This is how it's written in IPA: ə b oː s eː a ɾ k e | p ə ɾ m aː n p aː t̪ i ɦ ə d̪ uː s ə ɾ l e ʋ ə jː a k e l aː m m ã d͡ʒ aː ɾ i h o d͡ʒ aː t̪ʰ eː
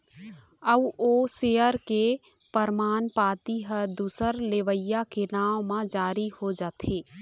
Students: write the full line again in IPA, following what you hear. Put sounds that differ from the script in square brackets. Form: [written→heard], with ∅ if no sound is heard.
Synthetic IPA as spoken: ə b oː s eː [a→ə] ɾ k e | p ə ɾ m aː n p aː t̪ i ɦ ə d̪ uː s ə ɾ l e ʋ ə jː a k e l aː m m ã d͡ʒ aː ɾ i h o d͡ʒ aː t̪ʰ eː